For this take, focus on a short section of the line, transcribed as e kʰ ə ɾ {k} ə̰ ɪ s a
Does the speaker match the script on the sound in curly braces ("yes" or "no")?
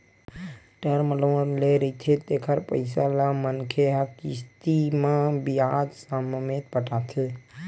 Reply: no